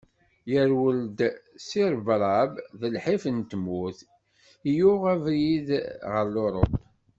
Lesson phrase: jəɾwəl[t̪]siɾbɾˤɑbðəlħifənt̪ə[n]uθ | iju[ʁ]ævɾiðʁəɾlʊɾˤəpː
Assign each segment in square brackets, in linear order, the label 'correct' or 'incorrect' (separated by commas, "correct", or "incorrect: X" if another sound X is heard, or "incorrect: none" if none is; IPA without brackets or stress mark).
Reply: incorrect: d̪, incorrect: m, correct